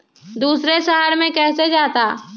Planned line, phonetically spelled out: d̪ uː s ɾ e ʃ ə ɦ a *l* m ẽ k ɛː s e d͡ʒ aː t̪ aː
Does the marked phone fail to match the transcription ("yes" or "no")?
yes